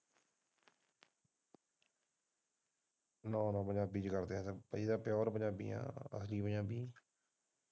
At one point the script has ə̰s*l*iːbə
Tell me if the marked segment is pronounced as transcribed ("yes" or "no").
yes